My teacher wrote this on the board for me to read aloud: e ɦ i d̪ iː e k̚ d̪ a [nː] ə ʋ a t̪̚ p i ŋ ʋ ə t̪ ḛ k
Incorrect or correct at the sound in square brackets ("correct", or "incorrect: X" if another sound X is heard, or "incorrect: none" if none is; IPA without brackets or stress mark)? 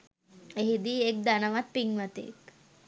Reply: incorrect: n